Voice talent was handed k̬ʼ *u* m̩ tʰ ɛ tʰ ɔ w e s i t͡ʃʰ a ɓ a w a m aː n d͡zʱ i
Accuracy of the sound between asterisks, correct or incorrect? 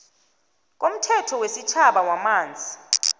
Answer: incorrect